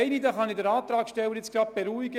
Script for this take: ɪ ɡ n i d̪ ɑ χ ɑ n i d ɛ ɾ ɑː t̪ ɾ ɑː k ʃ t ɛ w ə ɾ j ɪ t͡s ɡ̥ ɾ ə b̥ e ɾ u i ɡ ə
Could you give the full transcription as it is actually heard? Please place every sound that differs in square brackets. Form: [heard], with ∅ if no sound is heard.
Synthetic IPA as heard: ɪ [∅] n i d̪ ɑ χ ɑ n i d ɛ ɾ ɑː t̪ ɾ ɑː k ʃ t ɛ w ə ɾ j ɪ t͡s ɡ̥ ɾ [ɑ] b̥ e ɾ u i ɡ ə